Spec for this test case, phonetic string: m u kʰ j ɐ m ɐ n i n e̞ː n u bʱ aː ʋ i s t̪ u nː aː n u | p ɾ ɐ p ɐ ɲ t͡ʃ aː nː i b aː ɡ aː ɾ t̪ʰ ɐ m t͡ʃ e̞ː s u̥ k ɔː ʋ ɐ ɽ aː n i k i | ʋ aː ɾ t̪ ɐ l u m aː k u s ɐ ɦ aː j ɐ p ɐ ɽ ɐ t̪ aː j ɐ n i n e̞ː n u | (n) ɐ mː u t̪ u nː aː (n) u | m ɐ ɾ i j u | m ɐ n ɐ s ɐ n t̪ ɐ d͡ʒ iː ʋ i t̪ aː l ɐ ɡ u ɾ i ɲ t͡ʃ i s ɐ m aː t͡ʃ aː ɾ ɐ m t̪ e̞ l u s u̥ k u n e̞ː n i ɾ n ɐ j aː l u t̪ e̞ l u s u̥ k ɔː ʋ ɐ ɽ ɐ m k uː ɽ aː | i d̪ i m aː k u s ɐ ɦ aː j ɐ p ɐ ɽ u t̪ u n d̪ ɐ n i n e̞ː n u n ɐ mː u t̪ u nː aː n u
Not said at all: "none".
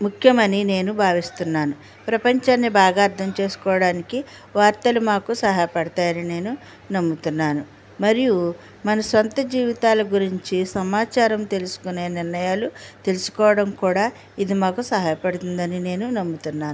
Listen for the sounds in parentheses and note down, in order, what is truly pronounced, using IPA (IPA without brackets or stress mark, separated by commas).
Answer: n, n